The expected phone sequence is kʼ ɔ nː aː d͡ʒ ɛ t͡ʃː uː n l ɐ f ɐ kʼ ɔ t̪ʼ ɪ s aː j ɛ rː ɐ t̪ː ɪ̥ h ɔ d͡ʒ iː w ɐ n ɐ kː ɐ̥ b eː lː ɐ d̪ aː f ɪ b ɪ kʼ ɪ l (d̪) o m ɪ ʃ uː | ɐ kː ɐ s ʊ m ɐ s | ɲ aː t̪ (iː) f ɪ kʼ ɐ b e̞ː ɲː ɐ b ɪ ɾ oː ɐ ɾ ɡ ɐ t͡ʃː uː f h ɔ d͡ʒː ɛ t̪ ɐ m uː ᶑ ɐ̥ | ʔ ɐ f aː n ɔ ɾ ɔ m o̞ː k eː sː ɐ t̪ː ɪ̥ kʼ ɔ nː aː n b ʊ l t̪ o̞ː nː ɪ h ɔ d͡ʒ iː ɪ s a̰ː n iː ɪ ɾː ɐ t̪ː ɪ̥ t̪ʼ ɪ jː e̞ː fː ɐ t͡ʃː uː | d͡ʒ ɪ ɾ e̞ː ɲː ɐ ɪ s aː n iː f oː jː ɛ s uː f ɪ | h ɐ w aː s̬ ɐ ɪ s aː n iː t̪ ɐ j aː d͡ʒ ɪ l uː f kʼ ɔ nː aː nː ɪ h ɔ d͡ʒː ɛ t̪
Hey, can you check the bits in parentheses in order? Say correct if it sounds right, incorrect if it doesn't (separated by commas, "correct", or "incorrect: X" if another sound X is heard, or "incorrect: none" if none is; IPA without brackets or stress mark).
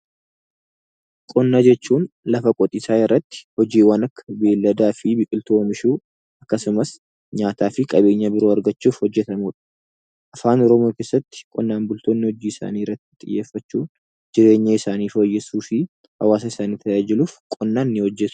incorrect: t̪, incorrect: aː